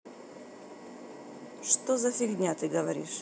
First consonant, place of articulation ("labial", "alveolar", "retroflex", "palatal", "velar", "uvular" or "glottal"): retroflex